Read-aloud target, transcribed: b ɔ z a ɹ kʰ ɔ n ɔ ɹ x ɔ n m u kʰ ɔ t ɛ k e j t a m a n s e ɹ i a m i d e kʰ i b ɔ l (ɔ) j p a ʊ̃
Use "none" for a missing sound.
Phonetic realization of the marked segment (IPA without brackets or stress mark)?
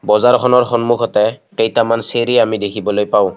o